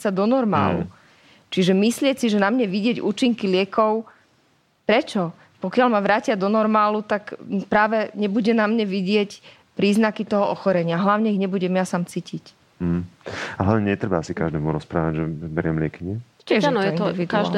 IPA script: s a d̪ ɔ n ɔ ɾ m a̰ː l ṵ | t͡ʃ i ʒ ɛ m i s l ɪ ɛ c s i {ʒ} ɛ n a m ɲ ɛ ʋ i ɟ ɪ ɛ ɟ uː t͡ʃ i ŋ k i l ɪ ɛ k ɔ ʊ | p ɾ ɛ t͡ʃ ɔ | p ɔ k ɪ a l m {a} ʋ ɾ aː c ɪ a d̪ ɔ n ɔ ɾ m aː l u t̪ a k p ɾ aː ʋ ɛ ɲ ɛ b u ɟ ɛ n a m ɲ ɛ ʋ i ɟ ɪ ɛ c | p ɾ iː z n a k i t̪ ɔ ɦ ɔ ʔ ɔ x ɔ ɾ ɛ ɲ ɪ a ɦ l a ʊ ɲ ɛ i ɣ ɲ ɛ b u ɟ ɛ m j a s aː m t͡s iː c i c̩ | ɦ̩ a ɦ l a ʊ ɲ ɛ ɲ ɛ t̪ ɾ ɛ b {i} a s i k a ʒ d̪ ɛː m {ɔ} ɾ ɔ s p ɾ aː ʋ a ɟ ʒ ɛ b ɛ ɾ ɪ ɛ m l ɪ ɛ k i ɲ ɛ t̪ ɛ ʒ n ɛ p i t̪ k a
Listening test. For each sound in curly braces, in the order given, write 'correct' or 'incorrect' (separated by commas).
correct, correct, incorrect, incorrect